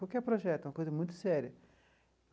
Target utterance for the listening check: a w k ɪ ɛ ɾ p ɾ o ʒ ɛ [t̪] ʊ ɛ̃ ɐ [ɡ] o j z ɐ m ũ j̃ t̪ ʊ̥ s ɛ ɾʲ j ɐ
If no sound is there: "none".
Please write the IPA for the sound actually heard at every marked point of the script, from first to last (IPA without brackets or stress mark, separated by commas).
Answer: t̪, k